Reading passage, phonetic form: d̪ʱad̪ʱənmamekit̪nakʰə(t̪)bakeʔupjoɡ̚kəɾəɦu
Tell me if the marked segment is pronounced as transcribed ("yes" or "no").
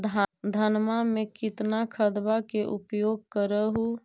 no